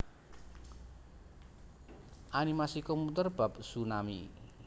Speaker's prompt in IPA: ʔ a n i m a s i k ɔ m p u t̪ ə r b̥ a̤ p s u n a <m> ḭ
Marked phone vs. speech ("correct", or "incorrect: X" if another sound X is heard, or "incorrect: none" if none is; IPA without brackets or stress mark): correct